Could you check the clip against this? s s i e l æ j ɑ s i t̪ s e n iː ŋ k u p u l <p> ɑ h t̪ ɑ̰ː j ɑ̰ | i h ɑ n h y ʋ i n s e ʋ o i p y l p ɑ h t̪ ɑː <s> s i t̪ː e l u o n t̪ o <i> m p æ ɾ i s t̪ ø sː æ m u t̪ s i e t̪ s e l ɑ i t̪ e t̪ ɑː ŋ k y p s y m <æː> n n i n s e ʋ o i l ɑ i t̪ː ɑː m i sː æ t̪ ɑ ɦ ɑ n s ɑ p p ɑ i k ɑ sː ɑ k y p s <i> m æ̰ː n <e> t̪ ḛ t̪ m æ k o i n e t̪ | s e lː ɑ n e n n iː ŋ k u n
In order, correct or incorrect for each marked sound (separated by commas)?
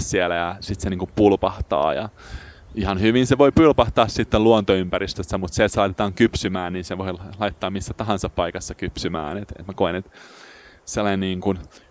correct, correct, incorrect, correct, incorrect, correct